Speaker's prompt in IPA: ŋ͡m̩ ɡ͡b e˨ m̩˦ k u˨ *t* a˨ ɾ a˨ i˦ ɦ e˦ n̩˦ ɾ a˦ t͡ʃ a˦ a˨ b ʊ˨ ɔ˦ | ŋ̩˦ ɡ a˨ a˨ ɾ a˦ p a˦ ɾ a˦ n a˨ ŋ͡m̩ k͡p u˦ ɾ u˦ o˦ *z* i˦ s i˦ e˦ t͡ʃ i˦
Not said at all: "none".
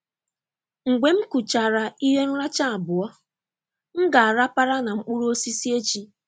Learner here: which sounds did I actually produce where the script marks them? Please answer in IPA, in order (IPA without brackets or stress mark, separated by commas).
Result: t͡ʃ, s